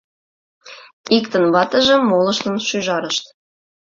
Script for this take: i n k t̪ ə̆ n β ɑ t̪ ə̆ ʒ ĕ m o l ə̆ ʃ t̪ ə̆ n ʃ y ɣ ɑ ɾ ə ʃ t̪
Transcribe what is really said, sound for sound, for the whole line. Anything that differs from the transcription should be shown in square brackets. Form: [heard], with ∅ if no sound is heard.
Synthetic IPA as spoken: i [∅] k t̪ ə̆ n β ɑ t̪ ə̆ ʒ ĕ m o l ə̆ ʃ t̪ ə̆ n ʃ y [ʒ] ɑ ɾ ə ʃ t̪